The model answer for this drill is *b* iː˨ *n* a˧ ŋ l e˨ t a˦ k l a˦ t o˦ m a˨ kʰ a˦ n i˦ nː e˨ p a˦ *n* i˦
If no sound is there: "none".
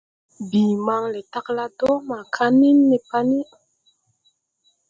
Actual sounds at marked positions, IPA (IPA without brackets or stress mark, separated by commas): b, m, n